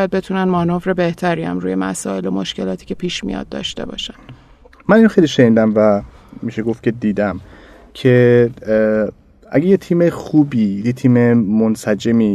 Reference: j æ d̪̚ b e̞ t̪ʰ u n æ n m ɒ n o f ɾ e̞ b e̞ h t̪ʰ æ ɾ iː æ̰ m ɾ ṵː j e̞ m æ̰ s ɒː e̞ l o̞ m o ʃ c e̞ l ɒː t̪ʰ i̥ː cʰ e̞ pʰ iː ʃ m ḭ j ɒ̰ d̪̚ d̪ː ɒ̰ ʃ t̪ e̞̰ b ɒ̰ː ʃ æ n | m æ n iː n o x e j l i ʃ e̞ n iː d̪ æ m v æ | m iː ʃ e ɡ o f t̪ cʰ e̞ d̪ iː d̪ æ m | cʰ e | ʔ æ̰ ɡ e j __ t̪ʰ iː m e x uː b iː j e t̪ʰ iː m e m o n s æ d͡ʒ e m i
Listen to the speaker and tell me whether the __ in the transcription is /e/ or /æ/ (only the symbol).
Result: e